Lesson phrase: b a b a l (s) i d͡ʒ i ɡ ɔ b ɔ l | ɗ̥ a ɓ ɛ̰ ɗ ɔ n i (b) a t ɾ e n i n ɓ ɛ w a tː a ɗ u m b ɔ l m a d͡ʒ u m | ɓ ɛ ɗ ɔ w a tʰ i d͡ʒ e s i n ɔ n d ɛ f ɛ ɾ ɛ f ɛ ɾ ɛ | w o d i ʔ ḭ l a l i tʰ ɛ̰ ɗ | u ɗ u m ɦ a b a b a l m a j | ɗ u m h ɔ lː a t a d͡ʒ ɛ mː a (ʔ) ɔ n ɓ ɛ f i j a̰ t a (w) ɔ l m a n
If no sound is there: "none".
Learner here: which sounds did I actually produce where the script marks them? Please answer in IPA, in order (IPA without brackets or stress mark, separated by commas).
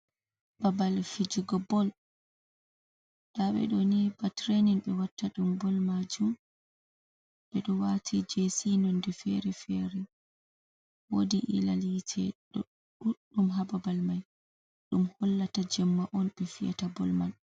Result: f, b, ʔ, b